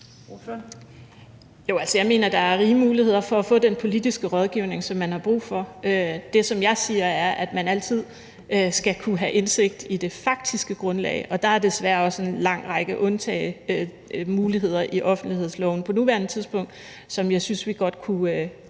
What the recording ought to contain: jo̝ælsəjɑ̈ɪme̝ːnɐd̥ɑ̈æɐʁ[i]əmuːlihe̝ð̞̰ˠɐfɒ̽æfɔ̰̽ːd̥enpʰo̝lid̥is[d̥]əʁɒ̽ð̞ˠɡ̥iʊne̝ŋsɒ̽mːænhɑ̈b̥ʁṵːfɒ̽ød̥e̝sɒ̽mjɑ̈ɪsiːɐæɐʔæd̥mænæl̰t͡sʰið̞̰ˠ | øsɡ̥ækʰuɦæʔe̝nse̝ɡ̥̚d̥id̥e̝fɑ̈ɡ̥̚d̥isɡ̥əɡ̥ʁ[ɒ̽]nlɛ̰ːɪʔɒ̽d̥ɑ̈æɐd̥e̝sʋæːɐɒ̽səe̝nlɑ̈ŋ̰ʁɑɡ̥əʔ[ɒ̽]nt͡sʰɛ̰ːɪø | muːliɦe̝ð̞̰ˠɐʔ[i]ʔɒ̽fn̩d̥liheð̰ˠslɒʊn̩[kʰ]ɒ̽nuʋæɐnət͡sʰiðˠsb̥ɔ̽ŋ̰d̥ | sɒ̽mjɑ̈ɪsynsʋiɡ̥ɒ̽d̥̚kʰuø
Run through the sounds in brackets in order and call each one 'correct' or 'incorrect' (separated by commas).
incorrect, incorrect, incorrect, incorrect, correct, incorrect